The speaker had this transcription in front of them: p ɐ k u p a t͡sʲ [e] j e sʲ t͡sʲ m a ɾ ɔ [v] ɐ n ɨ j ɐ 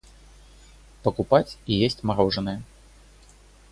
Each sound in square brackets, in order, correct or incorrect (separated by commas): incorrect, incorrect